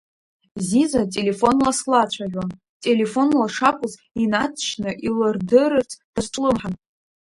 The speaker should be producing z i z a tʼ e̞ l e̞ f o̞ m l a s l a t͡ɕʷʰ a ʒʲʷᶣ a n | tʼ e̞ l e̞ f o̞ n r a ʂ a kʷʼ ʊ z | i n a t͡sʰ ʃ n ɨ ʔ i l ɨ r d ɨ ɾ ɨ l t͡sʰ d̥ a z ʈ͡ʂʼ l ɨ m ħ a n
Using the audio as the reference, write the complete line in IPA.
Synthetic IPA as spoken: z i z a tʼ e̞ l e̞ f o̞ n l a s l a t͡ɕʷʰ a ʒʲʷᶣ a n | tʼ e̞ l e̞ f o̞ n l a ʂ a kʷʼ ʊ z | i n a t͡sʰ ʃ n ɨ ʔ i l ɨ r d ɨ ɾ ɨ r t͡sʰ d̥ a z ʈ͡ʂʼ l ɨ m ħ a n